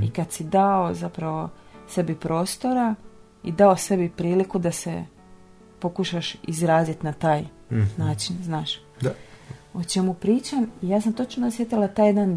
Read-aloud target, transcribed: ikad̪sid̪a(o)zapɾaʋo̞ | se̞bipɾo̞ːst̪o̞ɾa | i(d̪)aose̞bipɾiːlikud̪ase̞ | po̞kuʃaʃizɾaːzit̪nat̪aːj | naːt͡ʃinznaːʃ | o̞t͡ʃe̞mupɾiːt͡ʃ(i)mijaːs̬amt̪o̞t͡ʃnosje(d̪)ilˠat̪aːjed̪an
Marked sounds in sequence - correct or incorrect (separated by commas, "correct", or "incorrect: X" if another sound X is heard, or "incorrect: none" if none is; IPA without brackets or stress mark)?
correct, correct, incorrect: a, incorrect: t̪